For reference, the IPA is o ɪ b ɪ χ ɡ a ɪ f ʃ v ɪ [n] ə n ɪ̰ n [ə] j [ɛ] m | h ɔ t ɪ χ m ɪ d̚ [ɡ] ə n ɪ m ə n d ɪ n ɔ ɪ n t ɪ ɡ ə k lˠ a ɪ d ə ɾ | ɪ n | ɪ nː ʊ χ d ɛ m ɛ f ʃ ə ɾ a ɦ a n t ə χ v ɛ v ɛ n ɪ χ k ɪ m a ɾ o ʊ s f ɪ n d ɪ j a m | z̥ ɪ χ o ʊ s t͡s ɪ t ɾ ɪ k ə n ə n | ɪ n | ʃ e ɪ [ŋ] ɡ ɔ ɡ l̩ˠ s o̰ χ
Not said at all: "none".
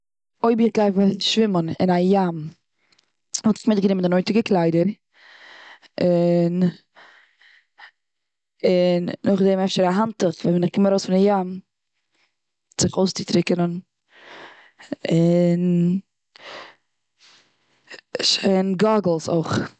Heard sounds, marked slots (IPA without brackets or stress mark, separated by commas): m, a, a, ɡ, n